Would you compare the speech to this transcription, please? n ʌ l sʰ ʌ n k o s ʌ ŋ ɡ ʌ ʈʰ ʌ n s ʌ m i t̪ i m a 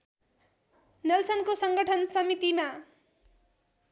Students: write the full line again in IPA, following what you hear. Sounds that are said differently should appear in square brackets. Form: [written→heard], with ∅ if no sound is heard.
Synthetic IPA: n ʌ l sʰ ʌ n k o s ʌ ŋ ɡ ʌ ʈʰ ʌ n s ʌ m i t̪ i m a